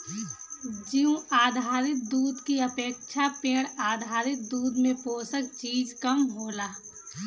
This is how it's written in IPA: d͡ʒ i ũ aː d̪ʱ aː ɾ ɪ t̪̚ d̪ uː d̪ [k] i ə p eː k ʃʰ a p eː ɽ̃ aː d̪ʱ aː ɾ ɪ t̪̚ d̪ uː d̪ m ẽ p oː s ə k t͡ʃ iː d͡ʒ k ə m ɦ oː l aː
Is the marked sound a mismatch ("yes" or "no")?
no